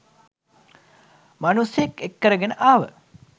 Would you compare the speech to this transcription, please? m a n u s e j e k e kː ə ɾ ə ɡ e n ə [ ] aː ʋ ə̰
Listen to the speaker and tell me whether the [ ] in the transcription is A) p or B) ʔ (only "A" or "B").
B